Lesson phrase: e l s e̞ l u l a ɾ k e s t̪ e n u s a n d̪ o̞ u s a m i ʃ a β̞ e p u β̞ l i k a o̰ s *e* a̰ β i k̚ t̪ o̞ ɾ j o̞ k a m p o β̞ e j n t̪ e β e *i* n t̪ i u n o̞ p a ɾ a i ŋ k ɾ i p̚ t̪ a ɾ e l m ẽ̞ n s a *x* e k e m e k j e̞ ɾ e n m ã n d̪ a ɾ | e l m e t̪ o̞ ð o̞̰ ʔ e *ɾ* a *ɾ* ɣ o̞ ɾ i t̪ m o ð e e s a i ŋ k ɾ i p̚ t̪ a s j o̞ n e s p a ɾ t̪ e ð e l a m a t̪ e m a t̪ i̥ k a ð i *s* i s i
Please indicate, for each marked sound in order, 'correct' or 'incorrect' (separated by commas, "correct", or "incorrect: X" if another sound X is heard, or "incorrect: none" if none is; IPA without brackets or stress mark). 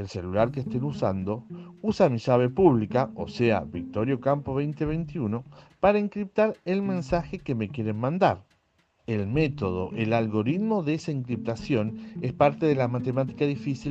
correct, incorrect: j, correct, incorrect: l, incorrect: l, incorrect: f